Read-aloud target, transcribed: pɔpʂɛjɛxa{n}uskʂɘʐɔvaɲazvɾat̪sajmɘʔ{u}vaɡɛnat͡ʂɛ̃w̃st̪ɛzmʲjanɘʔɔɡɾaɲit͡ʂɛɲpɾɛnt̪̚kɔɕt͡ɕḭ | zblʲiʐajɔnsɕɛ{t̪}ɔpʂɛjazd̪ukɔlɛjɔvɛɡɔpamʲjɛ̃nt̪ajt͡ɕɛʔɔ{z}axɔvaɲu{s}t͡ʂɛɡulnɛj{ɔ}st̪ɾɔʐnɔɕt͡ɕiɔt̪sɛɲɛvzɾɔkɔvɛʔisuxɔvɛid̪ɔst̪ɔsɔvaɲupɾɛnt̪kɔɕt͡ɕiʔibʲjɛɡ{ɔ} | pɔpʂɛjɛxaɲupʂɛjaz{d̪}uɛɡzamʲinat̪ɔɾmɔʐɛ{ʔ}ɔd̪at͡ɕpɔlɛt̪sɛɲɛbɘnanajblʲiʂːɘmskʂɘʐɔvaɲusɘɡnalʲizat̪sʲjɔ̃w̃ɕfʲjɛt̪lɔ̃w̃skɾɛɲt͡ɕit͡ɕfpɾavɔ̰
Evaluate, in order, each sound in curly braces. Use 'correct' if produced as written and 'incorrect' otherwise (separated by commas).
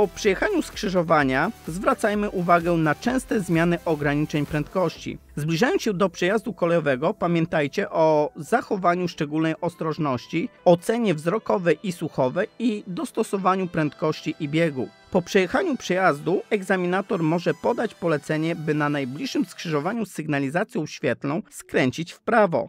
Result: incorrect, correct, incorrect, correct, incorrect, correct, incorrect, correct, incorrect